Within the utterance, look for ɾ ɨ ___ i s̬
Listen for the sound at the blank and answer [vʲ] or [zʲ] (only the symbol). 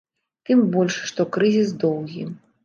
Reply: zʲ